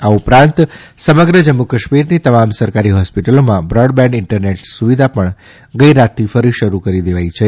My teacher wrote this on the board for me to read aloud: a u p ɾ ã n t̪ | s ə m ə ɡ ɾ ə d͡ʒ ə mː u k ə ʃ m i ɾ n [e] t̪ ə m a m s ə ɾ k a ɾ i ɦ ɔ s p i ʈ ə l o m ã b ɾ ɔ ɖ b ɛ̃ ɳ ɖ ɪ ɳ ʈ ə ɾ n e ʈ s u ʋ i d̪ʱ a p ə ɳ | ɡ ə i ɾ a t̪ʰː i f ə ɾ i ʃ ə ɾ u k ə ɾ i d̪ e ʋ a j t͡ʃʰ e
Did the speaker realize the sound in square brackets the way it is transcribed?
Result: no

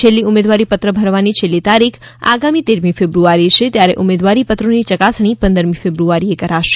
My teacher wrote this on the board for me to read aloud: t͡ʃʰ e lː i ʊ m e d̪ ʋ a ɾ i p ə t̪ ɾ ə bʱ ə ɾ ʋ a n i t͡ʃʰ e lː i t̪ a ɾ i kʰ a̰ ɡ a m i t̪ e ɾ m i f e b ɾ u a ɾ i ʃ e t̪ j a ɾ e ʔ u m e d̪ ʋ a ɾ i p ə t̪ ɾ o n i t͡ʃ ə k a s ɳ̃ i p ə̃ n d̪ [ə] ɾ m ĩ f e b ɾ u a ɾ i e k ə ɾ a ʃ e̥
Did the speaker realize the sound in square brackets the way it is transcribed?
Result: yes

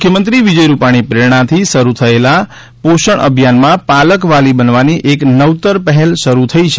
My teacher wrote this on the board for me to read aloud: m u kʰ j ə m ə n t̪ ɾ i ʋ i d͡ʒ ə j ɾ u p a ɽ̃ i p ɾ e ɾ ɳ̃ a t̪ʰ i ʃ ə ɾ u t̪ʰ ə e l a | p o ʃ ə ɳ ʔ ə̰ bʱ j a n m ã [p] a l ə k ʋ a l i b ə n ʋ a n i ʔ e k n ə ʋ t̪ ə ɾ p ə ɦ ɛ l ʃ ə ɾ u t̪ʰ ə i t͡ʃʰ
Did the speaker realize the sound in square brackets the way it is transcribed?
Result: yes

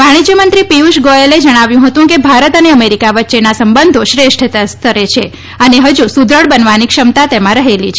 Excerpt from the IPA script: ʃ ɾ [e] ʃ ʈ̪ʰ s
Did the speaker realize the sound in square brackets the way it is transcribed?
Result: yes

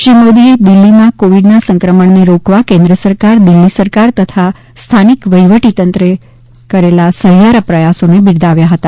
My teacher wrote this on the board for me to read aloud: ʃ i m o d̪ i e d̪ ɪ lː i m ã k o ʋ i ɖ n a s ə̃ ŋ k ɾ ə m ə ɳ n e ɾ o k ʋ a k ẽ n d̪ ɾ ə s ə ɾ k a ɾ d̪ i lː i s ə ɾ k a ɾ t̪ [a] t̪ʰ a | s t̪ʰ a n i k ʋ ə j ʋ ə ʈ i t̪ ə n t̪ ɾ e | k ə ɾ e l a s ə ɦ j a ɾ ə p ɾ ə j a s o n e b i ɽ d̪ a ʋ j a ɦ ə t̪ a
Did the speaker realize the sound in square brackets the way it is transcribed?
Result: no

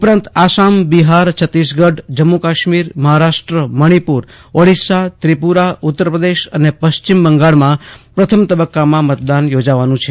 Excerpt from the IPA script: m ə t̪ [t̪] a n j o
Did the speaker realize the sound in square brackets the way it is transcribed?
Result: no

